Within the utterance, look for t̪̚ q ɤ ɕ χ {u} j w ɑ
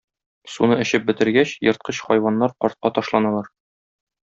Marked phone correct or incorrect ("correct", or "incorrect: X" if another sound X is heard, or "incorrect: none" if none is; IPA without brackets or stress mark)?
incorrect: ɒ